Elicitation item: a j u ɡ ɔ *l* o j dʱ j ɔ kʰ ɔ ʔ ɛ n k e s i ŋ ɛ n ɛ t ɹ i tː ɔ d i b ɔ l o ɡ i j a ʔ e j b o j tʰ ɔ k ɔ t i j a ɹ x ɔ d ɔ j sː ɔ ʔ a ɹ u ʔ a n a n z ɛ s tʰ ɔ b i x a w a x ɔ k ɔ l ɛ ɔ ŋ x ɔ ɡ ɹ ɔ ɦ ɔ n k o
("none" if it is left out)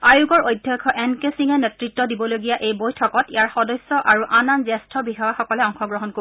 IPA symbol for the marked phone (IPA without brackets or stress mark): ɹ